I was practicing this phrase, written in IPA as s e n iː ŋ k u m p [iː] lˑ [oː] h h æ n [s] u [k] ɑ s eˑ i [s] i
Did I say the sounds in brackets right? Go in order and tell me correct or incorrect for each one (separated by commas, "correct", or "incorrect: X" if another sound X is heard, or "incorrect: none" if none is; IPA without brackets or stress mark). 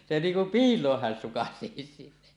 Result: correct, correct, correct, correct, correct